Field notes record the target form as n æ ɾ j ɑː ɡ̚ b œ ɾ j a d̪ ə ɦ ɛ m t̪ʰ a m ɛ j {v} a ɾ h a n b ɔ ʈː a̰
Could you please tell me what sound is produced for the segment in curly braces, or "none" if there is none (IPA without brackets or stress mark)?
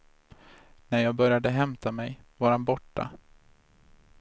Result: v